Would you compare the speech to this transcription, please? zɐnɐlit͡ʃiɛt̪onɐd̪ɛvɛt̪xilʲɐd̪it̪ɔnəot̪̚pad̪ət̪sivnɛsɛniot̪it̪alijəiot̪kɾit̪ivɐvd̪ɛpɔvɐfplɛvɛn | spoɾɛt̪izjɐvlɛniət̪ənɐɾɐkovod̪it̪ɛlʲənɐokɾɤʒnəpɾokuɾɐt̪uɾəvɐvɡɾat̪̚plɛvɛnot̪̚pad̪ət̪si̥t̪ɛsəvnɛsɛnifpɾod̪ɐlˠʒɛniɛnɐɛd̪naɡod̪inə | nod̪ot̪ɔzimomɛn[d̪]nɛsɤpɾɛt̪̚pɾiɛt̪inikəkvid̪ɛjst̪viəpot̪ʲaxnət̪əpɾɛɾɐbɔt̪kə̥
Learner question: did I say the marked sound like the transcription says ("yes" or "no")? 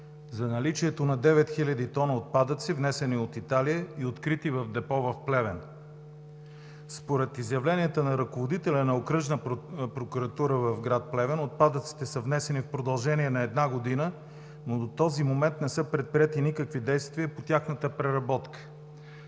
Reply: no